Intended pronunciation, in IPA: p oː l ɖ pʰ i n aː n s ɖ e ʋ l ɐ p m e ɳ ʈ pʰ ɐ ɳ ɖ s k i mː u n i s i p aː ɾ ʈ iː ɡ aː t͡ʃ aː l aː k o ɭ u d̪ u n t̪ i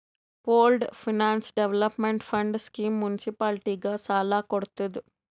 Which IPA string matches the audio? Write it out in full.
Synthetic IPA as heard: p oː l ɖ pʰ i n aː n s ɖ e ʋ l ɐ p m e ɳ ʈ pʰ ɐ ɳ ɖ s k iː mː u n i s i p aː l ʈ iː ɡ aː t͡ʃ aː l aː k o ɽ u t̪ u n d̪ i